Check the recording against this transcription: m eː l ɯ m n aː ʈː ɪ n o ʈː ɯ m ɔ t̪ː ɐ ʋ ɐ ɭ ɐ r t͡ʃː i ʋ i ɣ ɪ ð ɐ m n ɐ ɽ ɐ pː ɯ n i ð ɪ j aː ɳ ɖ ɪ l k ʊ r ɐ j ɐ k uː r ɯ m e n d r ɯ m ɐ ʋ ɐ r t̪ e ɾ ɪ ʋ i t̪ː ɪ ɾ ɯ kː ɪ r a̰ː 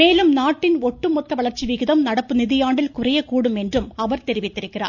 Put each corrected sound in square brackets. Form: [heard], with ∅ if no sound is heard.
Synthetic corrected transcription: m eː l ɯ m n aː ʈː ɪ n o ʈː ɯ m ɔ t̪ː ɐ ʋ ɐ ɭ ɐ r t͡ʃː i ʋ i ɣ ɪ ð ɐ m n ɐ ɽ ɐ pː ɯ n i ð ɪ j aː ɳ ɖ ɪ l k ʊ r ɐ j ɐ k uː [ɽ] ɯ m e n d r ɯ m ɐ ʋ ɐ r t̪ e ɾ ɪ ʋ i t̪ː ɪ ɾ ɯ kː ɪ r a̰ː